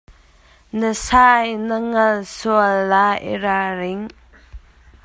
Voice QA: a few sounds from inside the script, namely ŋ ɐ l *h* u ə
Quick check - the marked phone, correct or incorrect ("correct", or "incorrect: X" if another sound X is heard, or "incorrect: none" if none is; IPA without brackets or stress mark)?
incorrect: s